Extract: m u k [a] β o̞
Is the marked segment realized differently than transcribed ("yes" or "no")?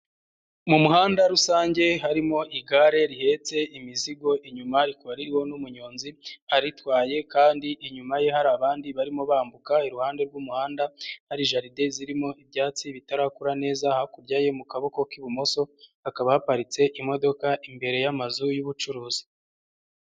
no